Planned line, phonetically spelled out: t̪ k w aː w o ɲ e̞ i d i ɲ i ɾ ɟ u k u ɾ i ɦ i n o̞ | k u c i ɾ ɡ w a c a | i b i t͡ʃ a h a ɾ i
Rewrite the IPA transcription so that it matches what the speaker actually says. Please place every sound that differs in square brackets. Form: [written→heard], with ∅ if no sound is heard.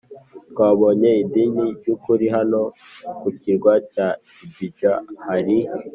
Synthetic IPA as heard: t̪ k w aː [w→β] o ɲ e̞ i d i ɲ i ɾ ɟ u k u ɾ i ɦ [i→a] n o̞ | k u c i ɾ ɡ w a c a | i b i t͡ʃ a h a ɾ i